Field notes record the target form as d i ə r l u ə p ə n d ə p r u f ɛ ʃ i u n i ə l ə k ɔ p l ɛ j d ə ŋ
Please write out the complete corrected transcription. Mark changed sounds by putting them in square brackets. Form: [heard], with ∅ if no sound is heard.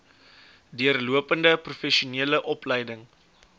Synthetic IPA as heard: d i ə r l u ə p ə n d ə p r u f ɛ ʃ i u n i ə l ə [ʔ] ɔ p l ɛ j d ə ŋ